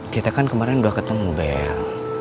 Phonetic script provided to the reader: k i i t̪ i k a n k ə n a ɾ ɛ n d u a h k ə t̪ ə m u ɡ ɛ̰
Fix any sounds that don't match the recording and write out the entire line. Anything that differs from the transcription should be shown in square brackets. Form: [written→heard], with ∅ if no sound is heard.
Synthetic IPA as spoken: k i [i→a] t̪ [i→a] k a n k ə [n→m] a ɾ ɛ n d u a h k ə t̪ ə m u [ɡ→b] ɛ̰